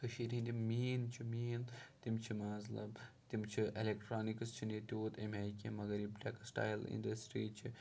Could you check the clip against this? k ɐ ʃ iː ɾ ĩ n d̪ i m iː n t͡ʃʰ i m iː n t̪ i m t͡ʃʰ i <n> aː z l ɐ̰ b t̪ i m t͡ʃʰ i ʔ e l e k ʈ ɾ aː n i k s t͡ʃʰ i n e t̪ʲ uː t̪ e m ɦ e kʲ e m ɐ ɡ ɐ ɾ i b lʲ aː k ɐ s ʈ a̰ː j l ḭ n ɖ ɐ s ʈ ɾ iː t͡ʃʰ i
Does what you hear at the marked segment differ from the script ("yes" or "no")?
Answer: yes